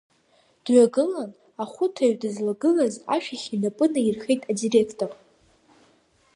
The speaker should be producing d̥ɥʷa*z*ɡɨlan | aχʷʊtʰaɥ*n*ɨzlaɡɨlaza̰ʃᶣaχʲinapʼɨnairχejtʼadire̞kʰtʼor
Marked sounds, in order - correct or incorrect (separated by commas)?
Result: incorrect, incorrect